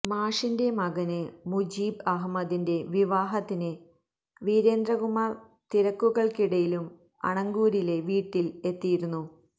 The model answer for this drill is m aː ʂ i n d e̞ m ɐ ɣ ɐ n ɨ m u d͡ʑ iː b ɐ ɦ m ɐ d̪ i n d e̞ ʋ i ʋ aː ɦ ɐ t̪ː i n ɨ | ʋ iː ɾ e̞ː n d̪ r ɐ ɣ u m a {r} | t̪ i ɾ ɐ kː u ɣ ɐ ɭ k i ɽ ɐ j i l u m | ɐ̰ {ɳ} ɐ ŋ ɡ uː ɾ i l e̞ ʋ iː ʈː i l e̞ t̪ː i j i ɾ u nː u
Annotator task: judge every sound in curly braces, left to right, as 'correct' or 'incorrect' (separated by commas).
correct, correct